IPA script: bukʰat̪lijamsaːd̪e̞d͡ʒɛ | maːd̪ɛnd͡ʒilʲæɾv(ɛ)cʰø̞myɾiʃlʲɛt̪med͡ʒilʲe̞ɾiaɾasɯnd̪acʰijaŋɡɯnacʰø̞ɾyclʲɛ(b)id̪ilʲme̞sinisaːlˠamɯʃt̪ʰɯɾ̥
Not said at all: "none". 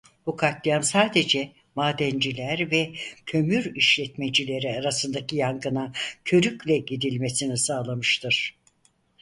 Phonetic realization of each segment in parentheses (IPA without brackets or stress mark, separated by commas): ɛ, ɟ